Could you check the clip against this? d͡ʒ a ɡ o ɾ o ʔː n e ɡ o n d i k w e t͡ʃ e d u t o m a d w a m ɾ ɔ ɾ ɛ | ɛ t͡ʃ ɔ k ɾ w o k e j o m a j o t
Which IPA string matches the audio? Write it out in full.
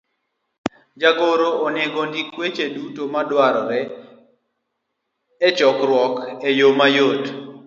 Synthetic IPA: d͡ʒ a ɡ o ɾ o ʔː n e ɡ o n d i k w e t͡ʃ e d u t o m a d w a ɾ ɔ ɾ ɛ | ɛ t͡ʃ ɔ k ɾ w ɔ k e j o m a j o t